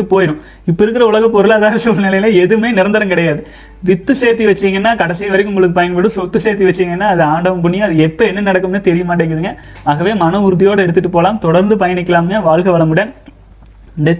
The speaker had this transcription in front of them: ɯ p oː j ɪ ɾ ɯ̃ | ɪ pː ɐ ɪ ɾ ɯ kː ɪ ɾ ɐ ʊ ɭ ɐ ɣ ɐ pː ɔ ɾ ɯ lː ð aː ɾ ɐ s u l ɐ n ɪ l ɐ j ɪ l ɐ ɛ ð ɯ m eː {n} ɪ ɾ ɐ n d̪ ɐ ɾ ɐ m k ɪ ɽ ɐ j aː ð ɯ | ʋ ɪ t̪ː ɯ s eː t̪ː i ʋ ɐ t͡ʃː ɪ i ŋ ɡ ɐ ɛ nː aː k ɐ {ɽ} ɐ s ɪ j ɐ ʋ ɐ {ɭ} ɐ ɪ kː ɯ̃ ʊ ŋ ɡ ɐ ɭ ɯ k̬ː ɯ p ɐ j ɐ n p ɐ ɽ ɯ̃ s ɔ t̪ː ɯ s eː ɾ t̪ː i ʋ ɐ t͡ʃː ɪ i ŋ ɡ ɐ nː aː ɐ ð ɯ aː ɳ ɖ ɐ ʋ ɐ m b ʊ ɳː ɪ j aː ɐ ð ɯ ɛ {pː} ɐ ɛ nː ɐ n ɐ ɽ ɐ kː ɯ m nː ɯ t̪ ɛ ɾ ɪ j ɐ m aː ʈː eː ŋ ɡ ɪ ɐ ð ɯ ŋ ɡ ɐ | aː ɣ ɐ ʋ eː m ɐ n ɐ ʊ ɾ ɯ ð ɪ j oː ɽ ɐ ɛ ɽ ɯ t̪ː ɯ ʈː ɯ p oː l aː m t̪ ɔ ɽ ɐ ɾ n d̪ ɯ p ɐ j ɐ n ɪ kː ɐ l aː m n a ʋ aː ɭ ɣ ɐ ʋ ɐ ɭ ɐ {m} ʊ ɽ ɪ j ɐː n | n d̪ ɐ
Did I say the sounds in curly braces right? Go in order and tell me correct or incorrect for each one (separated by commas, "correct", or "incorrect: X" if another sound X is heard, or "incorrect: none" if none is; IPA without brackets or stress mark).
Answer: correct, correct, incorrect: ɾ, correct, correct